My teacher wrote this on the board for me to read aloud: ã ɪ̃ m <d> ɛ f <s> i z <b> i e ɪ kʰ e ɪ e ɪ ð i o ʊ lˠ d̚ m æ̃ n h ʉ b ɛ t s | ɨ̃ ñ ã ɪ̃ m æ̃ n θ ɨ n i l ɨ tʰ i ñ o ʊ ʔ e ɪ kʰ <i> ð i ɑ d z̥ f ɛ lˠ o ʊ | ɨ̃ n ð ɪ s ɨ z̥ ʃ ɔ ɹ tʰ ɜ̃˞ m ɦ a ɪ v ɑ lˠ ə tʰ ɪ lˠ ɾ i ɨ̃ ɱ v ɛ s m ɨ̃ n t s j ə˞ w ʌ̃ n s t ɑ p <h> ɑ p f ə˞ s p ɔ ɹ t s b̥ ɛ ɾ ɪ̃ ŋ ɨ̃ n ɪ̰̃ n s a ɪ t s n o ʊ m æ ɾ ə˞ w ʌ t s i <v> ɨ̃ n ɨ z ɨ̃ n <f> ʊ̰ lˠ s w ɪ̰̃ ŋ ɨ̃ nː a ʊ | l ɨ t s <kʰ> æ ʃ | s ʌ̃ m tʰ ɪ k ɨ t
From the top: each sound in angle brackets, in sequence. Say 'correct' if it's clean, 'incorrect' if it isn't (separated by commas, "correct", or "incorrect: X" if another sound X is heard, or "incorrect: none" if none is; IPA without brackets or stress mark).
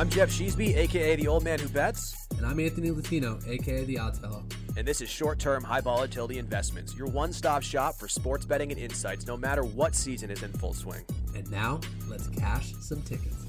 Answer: incorrect: d͡ʒ, incorrect: ʃ, correct, incorrect: e, incorrect: ʃ, incorrect: z, correct, correct